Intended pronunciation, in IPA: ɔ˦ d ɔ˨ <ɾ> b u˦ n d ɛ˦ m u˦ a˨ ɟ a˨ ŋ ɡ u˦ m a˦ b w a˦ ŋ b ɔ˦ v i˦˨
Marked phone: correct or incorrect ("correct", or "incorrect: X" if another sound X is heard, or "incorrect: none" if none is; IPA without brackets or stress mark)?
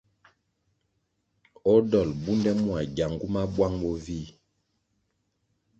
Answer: incorrect: l